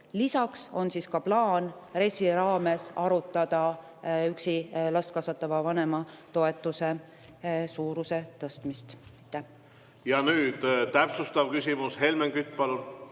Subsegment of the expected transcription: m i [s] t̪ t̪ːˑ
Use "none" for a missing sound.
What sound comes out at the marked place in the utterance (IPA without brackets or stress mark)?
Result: s